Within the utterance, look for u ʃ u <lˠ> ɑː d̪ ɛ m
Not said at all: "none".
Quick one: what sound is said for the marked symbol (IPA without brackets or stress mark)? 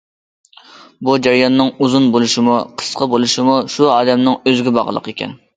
none